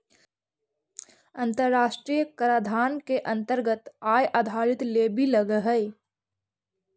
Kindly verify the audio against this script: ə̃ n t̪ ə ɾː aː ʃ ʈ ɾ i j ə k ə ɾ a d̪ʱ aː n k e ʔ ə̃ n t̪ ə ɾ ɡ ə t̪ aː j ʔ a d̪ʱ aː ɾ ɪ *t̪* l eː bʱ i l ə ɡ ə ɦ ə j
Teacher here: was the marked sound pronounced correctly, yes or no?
yes